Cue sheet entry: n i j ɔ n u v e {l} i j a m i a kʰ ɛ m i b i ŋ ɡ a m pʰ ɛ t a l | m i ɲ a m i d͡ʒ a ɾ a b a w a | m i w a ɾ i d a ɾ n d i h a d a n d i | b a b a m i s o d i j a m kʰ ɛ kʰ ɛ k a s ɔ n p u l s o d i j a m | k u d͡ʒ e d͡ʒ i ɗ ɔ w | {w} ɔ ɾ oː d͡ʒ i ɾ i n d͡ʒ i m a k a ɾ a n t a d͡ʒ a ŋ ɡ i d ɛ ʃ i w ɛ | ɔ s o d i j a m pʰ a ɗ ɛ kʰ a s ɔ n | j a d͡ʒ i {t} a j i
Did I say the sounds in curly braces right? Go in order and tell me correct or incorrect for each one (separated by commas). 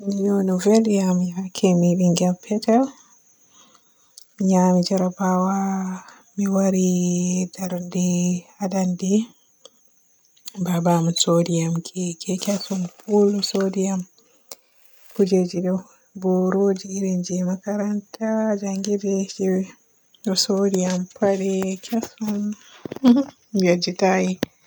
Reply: correct, incorrect, correct